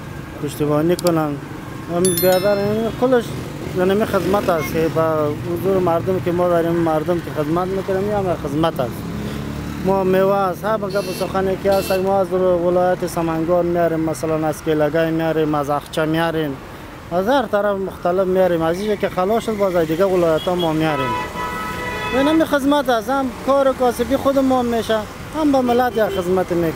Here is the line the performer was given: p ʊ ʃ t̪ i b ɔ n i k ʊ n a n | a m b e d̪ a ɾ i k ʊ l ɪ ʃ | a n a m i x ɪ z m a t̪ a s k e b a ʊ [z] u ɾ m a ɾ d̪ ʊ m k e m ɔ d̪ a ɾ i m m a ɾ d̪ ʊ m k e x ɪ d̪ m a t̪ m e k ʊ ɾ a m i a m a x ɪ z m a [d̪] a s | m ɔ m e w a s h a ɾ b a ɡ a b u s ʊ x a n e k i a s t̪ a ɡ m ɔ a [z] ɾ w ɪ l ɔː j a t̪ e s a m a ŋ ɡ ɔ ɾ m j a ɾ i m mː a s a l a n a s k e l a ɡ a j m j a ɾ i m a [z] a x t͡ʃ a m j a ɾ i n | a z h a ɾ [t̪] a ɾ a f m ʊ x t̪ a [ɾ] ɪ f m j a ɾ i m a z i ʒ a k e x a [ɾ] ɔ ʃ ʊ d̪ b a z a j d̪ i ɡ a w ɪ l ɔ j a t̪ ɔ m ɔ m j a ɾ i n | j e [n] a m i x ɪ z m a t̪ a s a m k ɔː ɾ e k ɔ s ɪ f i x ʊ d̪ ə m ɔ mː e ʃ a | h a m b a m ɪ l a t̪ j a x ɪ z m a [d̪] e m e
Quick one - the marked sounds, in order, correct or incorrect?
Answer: correct, incorrect: t̪, correct, correct, correct, incorrect: l, incorrect: l, correct, incorrect: t̪

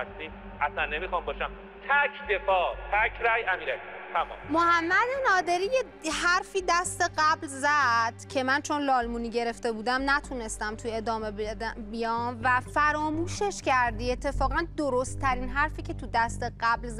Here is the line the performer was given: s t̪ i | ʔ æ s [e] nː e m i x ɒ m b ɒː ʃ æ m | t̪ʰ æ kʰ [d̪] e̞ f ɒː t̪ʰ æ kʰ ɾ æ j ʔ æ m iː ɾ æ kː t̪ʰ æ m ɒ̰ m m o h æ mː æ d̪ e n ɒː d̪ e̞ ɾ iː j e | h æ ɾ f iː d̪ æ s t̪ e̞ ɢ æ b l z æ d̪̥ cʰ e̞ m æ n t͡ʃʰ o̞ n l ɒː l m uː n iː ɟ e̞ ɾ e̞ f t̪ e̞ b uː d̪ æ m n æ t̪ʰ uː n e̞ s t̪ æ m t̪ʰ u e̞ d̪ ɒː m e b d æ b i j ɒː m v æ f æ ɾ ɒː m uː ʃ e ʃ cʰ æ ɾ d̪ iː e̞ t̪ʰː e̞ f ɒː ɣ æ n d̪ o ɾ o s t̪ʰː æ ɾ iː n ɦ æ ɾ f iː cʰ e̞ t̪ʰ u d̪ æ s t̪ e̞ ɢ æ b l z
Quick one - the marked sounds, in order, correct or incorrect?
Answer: incorrect: æ, correct

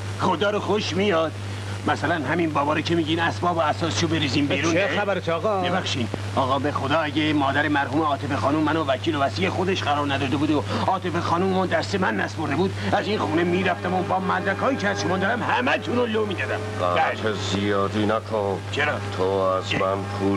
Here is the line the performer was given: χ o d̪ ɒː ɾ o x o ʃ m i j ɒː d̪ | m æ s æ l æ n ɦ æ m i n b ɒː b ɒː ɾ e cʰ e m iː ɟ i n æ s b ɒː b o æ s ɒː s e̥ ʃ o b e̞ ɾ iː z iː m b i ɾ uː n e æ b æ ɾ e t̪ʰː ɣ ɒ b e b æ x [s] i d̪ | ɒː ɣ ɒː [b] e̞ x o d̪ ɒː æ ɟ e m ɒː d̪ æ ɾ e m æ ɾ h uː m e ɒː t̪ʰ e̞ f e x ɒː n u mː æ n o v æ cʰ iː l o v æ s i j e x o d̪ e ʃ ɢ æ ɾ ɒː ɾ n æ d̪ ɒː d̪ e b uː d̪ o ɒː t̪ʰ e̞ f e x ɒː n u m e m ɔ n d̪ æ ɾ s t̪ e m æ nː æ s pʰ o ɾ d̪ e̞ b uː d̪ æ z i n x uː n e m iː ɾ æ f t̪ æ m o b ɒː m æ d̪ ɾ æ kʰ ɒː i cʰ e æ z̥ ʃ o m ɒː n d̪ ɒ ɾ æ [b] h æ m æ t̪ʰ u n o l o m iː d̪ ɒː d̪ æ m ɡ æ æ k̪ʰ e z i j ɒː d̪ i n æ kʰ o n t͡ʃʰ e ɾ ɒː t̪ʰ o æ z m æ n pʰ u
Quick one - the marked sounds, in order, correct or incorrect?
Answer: incorrect: ʃ, correct, incorrect: m

